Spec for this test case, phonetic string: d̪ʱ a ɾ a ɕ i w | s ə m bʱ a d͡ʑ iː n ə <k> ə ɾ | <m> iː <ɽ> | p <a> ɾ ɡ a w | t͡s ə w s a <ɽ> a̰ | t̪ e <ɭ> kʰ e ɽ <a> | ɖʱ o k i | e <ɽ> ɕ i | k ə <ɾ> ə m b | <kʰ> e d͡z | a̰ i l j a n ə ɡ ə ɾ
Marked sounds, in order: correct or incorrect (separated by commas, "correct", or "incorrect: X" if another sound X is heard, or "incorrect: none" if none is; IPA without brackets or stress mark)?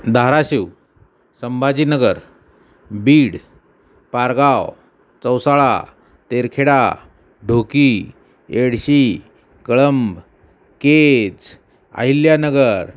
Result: incorrect: ɡ, incorrect: b, correct, correct, incorrect: ɭ, incorrect: ɾ, correct, correct, incorrect: ɭ, incorrect: k